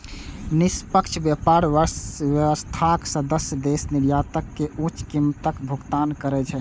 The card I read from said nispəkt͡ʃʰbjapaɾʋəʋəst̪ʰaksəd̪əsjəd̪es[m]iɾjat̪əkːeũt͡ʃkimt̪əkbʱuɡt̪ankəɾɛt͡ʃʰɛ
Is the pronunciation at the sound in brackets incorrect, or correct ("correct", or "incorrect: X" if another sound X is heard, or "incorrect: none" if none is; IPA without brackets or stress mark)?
incorrect: n